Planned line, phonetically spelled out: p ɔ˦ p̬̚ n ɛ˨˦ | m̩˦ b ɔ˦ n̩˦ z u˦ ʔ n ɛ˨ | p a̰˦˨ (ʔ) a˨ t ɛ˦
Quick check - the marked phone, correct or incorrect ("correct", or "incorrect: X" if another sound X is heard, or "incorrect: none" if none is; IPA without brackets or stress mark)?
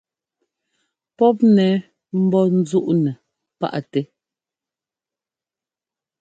correct